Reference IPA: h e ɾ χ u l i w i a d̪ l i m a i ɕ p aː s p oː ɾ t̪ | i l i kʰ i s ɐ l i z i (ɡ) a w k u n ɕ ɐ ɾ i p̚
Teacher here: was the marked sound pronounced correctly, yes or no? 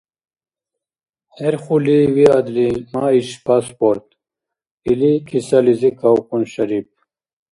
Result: no